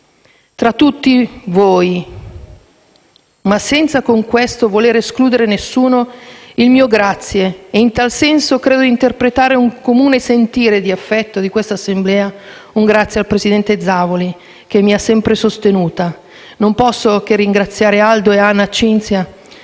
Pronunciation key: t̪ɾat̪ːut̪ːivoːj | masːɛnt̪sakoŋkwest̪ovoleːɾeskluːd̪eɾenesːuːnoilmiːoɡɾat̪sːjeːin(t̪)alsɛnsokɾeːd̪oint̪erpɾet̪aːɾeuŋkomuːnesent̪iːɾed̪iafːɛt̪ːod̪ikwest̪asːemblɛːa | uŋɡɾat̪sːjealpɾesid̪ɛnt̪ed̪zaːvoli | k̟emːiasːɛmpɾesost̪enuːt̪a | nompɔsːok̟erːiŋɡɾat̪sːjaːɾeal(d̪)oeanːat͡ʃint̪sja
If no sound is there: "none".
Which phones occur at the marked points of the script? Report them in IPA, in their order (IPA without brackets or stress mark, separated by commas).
t̪, d̪